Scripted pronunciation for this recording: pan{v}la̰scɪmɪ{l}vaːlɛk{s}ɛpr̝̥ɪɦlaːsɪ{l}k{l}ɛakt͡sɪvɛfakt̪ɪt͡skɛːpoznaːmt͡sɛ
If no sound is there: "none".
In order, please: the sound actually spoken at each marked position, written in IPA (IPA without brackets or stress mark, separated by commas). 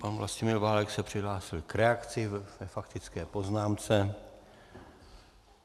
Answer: v, l, s, l, ɾ